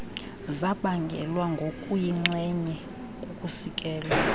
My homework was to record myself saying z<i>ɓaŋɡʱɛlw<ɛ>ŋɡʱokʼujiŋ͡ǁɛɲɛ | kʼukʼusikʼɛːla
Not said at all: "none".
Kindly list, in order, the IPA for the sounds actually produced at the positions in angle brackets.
a, a

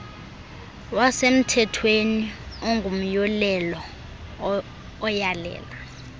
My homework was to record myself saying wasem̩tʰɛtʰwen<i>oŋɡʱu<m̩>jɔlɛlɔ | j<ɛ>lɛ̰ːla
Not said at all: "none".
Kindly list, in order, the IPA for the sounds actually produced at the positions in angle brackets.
i, m̩, a

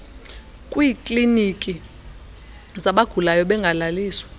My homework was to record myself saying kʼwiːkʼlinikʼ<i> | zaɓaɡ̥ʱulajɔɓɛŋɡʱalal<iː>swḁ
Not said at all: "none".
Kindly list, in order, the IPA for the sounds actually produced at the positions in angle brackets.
i, iː

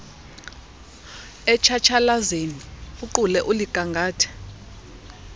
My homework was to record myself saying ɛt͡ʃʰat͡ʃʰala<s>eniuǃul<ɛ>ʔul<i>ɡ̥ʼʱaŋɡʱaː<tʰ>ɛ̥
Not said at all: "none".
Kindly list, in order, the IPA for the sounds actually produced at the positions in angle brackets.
z, ɛ, i, tʰ

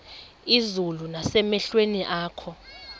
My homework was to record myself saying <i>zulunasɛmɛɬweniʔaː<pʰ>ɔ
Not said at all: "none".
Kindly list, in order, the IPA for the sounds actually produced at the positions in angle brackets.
i, kʰ

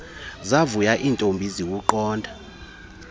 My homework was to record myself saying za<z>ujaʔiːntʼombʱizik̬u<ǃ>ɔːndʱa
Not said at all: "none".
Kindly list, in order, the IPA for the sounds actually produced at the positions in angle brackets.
v, ǃ

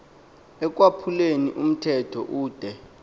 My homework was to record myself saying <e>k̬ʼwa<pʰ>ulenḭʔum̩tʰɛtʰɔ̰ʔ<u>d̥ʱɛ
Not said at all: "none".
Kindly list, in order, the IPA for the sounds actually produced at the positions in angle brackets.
ɛ, pʰ, uː

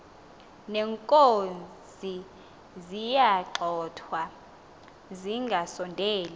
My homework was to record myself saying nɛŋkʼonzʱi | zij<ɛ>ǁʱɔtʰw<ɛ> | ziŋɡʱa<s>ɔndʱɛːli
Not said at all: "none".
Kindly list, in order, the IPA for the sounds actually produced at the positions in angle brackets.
a, a, s

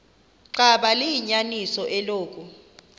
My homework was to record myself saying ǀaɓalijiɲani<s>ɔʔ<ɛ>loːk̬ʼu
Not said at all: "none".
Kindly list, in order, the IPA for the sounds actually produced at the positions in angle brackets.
s, ɛ

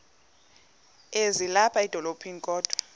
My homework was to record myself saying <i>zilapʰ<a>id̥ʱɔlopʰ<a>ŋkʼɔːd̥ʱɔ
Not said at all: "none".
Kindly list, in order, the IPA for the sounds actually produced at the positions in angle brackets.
e, a, i

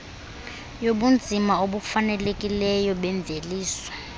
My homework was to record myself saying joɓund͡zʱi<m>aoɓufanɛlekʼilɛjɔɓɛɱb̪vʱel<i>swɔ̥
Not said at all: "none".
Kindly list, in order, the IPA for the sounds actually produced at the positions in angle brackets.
m, iː

